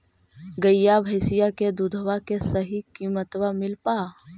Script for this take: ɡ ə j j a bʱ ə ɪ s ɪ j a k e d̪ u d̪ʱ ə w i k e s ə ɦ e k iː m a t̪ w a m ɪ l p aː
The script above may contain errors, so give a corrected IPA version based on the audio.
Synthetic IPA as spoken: ɡ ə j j a bʱ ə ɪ s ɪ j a k e d̪ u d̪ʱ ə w a k e s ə ɦ i k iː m ə t̪ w a m ɪ l p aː